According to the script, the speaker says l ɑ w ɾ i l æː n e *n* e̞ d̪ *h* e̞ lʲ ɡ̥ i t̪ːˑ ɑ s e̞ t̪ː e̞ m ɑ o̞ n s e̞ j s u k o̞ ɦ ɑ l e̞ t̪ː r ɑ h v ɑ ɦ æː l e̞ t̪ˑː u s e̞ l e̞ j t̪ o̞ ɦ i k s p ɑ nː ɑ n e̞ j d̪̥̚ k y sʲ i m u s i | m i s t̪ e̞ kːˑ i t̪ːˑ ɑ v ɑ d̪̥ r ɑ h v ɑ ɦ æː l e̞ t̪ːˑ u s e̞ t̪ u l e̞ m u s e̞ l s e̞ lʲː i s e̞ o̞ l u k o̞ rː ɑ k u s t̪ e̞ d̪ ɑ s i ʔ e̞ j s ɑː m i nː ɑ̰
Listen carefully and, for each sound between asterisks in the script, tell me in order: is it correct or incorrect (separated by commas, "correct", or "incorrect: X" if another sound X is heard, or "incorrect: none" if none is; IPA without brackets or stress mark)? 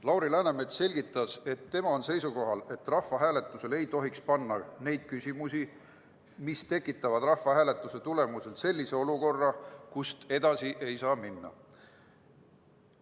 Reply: incorrect: m, incorrect: s